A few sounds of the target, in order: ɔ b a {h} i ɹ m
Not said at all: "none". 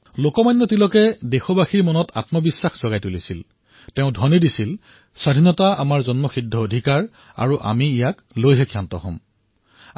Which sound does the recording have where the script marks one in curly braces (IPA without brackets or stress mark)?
x